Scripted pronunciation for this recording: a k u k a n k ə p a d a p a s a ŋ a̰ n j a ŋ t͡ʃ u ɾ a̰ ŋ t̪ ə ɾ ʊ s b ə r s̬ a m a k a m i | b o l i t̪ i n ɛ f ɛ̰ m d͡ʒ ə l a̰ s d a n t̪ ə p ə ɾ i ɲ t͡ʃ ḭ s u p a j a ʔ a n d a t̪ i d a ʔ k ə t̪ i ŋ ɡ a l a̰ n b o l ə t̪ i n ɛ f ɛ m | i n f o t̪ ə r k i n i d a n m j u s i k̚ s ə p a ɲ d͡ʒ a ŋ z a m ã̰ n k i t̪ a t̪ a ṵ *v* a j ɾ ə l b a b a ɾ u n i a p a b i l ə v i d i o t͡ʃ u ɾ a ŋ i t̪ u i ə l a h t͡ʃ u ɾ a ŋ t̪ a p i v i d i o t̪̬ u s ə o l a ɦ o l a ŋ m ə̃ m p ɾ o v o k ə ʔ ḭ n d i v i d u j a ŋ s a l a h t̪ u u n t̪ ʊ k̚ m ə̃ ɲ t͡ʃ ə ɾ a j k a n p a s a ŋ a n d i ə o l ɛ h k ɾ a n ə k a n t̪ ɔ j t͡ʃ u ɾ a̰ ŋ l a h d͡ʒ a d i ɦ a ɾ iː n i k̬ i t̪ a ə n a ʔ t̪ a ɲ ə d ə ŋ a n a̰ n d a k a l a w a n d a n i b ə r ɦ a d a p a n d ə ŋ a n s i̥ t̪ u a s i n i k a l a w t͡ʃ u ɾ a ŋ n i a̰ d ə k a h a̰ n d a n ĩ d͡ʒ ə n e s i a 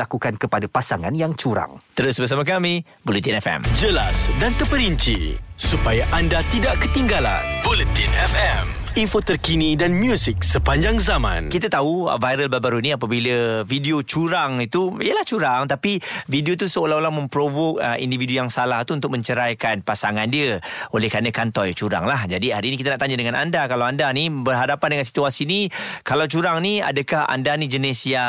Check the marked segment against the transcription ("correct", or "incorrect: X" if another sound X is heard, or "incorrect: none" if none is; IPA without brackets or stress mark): correct